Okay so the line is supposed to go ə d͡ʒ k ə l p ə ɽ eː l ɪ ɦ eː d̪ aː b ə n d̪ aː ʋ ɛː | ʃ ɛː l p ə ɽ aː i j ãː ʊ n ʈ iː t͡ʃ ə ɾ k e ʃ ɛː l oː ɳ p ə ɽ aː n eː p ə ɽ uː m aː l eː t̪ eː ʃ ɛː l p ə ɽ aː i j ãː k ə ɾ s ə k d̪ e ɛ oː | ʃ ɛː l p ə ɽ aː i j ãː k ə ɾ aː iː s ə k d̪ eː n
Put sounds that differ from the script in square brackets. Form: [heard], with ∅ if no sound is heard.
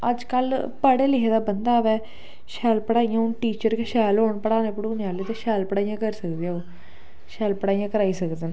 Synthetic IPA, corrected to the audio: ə d͡ʒ k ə l p ə ɽ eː l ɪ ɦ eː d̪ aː b ə n d̪ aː ʋ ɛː | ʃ ɛː l p ə ɽ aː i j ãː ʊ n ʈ iː t͡ʃ ə ɾ k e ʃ ɛː l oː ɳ p ə ɽ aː n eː p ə ɽ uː [n] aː l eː t̪ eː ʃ ɛː l p ə ɽ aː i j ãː k ə ɾ s ə k d̪ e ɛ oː | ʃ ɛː l p ə ɽ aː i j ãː k ə ɾ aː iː s ə k d̪ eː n